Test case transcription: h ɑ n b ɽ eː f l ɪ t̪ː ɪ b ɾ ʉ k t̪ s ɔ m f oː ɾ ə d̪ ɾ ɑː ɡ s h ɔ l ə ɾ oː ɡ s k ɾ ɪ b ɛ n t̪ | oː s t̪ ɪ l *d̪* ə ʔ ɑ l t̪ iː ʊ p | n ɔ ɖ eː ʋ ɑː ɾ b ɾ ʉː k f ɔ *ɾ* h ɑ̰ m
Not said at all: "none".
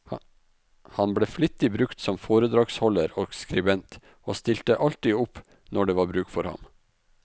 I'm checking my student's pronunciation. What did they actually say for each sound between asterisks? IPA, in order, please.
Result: t̪, ɾ

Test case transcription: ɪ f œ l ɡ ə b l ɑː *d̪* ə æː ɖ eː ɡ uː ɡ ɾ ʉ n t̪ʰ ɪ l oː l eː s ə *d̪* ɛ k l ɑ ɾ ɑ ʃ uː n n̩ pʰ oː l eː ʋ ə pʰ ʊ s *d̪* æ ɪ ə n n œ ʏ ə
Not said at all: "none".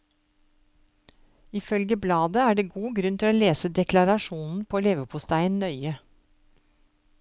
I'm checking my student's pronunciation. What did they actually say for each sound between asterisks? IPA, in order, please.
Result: d̪, d̪, t̪

